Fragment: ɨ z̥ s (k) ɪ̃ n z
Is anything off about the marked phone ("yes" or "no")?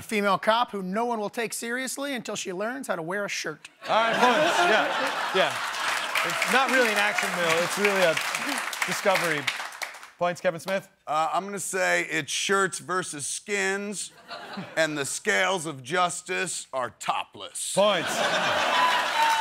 no